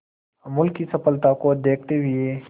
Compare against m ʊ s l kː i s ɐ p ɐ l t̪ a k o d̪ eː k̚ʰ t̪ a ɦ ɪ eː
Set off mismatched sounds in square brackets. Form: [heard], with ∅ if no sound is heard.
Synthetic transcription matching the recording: m ʊ [∅] l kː i s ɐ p [ə] l t̪ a k o d̪ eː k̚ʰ t̪ [e] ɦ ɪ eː